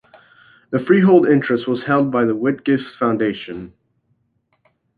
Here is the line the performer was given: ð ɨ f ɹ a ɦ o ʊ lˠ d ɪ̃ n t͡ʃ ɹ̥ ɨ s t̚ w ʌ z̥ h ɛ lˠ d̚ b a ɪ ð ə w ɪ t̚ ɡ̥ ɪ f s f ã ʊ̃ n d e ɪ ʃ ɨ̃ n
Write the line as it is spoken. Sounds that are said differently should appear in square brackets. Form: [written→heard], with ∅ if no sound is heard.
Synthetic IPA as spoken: ð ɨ f ɹ [a→i] ɦ o ʊ lˠ d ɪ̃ n t͡ʃ ɹ̥ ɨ s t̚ w ʌ z̥ h ɛ lˠ d̚ b a ɪ ð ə w ɪ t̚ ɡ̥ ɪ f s f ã ʊ̃ n d e ɪ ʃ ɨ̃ n